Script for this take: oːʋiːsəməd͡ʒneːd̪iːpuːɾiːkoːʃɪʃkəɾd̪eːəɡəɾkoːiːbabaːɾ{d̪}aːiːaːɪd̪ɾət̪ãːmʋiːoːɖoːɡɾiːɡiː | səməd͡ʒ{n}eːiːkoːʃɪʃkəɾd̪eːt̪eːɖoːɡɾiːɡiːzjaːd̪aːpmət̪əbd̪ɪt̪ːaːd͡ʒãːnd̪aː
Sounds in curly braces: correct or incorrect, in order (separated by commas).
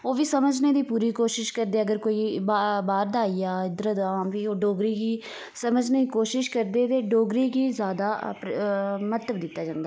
correct, correct